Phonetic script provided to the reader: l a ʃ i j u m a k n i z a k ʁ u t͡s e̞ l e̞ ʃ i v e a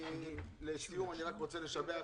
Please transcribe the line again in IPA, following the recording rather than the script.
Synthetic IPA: l e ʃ i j u m a n i ʁ a k ʁ o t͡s e̞ l e̞ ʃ a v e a